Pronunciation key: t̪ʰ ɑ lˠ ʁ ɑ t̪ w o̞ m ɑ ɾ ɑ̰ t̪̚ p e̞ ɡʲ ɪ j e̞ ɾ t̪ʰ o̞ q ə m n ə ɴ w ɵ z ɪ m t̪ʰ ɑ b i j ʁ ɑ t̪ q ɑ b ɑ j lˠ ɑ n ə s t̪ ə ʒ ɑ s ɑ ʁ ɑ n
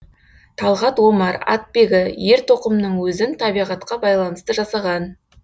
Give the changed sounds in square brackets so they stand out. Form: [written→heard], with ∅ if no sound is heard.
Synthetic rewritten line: t̪ʰ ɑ lˠ ʁ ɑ t̪ w o̞ m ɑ ɾ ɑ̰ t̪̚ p e̞ ɡʲ ɪ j e̞ ɾ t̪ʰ o̞ q ə m n ə ɴ w ɵ z ɪ [m→n] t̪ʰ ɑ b i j ʁ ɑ t̪ q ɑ b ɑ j lˠ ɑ n ə s t̪ ə ʒ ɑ s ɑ ʁ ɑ n